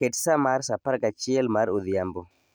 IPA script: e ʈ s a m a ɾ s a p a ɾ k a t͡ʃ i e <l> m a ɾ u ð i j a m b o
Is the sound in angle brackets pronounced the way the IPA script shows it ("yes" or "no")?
yes